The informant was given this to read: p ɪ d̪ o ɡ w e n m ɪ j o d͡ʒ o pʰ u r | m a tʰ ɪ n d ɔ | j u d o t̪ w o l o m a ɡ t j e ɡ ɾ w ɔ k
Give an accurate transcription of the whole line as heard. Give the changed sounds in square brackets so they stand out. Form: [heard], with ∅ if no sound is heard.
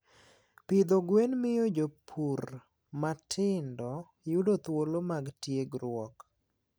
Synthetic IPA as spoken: p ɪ d̪ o ɡ w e n m ɪ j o d͡ʒ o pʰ u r | m a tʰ ɪ n d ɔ | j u d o t̪ w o l o m a ɡ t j e ɡ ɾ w ɔ k